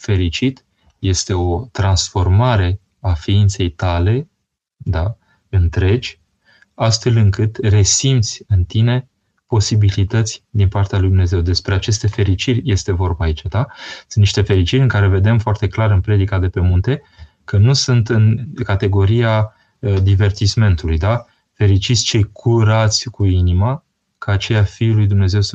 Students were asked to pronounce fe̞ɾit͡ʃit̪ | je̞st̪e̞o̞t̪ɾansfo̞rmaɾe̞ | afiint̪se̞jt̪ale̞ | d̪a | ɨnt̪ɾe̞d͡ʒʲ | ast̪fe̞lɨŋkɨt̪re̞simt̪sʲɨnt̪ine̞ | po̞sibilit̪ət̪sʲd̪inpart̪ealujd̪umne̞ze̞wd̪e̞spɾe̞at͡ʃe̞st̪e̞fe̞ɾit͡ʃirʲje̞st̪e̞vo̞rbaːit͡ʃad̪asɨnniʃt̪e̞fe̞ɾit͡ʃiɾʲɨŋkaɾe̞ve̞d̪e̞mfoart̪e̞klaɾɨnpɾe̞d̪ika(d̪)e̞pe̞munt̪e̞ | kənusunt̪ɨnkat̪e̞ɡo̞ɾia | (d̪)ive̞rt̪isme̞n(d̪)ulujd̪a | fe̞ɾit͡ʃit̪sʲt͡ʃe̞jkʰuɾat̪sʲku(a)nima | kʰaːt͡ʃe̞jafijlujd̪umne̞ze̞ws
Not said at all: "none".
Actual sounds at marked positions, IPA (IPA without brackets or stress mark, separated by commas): d̪, d̪, t̪, i